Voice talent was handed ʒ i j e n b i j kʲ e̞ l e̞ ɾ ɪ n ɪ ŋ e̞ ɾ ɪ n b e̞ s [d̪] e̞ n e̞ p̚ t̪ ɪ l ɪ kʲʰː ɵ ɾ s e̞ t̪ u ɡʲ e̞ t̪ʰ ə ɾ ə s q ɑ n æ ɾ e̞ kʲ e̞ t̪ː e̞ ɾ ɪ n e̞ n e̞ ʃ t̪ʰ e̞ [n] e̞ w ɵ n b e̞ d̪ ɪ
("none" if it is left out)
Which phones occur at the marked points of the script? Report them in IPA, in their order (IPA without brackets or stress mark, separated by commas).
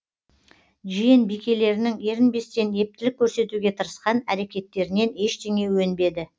t̪, ŋ